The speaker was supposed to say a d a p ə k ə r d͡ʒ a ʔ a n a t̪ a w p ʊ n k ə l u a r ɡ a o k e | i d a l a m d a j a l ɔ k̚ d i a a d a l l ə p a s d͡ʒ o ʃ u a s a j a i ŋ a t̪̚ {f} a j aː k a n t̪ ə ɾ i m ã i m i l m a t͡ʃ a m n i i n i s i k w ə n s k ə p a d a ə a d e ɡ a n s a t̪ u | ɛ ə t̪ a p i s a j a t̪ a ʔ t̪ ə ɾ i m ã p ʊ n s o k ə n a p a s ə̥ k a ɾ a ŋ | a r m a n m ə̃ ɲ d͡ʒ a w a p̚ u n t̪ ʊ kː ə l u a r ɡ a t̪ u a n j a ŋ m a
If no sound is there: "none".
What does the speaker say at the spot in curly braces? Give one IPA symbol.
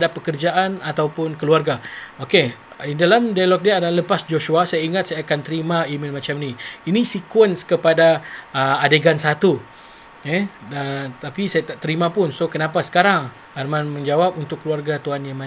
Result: s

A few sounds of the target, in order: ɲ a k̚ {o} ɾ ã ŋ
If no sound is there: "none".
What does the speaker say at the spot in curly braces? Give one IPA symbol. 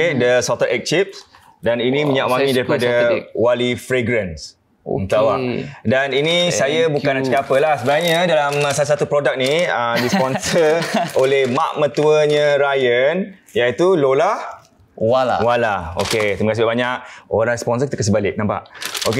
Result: o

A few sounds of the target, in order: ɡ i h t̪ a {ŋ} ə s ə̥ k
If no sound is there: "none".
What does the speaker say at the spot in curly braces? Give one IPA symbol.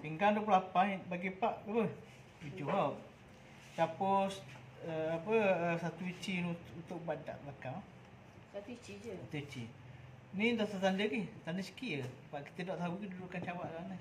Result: n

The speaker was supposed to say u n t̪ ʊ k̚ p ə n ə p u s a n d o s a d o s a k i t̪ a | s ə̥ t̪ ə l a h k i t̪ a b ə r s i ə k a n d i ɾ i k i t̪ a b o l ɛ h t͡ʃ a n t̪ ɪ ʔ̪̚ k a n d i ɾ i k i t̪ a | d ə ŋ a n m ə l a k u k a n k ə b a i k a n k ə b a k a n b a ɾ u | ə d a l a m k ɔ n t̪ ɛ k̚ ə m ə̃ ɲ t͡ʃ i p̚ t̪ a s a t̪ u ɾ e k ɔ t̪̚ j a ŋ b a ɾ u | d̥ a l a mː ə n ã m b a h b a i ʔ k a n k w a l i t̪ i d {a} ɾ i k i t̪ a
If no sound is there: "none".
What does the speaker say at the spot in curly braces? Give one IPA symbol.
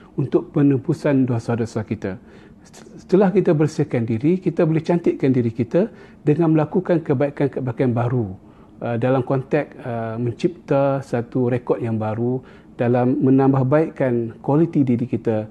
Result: i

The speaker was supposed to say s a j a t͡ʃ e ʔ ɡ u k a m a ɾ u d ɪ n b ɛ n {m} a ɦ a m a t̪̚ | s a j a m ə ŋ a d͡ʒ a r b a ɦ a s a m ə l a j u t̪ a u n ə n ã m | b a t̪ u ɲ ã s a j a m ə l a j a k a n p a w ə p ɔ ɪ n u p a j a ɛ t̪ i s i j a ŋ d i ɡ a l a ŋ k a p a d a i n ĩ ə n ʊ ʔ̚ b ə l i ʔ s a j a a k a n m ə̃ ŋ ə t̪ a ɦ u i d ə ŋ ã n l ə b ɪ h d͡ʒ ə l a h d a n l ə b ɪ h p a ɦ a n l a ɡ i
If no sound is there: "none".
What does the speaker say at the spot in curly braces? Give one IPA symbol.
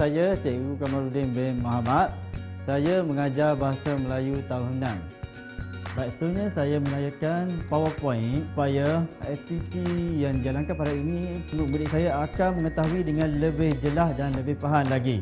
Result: m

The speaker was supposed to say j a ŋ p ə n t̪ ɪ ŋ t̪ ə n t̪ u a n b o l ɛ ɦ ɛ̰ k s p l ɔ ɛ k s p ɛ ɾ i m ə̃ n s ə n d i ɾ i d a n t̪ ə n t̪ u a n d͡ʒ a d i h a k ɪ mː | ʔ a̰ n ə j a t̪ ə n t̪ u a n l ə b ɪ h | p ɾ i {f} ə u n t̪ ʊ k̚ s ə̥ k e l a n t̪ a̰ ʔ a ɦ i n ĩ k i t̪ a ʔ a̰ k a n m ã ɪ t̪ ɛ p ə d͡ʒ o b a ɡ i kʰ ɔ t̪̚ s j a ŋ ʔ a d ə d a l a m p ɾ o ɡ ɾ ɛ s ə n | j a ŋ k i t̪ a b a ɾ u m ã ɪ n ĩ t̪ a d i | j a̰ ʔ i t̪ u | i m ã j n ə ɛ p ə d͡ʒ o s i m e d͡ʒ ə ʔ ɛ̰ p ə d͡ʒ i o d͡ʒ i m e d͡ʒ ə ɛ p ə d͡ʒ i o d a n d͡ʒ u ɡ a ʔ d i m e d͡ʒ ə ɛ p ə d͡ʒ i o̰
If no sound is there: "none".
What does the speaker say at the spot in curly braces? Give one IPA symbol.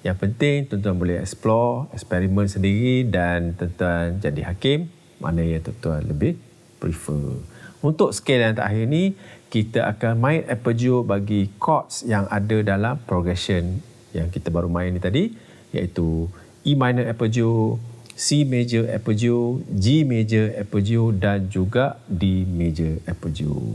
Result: f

